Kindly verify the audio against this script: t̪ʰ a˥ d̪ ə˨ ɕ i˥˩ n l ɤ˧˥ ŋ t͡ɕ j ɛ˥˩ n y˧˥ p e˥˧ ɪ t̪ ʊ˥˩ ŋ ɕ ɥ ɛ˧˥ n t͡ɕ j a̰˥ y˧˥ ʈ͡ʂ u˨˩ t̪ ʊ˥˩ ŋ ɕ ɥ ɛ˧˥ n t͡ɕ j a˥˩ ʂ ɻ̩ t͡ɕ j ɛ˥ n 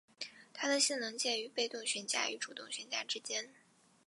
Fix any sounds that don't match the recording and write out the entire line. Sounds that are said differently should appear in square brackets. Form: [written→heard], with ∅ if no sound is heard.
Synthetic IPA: t̪ʰ a˥ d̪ ə˨ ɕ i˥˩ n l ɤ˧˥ ŋ t͡ɕ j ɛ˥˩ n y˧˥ p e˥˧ ɪ t̪ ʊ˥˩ ŋ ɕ ɥ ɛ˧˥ n t͡ɕ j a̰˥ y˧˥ ʈ͡ʂ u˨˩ t̪ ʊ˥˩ ŋ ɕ ɥ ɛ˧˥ n t͡ɕ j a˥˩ [ʂ→ʈ͡ʂ] ɻ̩ t͡ɕ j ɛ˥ n